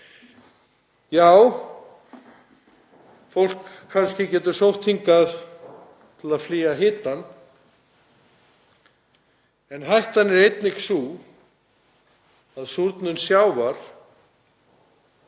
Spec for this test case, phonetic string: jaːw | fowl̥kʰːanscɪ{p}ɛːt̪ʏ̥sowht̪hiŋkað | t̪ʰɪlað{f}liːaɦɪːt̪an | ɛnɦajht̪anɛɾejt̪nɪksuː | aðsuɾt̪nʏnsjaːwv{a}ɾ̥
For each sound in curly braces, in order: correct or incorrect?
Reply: incorrect: c, correct, correct

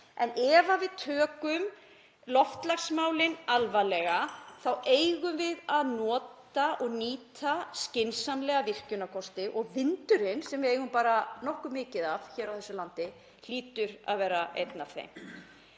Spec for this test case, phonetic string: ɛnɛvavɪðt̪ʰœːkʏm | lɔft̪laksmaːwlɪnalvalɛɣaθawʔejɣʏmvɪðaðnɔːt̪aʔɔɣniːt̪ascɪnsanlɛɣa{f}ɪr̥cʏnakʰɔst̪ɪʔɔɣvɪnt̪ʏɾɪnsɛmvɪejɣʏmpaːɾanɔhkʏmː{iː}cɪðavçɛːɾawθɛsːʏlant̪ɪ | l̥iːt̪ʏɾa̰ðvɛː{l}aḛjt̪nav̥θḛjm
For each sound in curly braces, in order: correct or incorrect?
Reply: incorrect: v, incorrect: ɪː, incorrect: ɾ

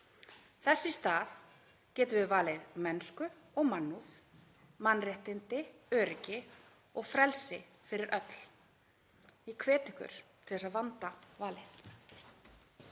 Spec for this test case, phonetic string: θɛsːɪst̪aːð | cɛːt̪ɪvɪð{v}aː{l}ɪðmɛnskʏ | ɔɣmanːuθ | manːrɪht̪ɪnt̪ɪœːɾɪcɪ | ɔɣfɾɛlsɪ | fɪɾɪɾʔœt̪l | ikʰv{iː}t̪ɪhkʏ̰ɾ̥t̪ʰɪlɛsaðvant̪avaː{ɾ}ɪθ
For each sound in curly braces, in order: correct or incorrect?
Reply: correct, correct, incorrect: ɛː, incorrect: l

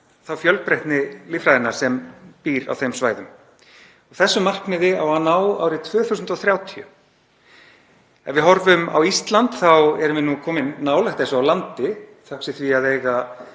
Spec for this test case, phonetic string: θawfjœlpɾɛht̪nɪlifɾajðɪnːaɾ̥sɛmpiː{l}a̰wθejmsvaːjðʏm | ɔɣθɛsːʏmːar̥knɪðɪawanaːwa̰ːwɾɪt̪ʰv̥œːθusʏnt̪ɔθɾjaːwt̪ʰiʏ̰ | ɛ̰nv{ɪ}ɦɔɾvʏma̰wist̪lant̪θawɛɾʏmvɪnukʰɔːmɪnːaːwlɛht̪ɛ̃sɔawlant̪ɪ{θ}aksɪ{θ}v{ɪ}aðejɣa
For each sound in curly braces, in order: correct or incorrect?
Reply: incorrect: ɾ, correct, correct, correct, incorrect: i

